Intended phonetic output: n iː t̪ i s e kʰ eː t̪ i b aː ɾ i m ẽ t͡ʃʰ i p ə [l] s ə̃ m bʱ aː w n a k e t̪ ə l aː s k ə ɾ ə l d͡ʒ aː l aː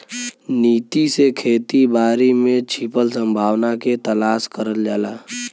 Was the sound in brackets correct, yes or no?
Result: yes